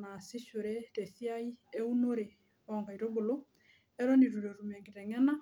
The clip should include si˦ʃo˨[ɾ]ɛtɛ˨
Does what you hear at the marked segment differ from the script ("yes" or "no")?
no